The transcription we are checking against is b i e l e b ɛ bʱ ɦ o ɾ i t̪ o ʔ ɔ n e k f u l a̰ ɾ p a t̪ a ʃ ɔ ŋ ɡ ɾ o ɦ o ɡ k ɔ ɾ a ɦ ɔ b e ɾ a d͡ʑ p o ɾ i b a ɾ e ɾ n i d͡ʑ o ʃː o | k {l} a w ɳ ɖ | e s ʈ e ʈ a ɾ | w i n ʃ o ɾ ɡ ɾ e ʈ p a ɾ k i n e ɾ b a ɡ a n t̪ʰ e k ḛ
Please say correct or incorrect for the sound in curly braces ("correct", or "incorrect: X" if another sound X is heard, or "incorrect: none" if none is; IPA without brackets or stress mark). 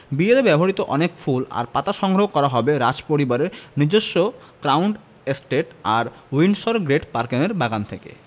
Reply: incorrect: ɾ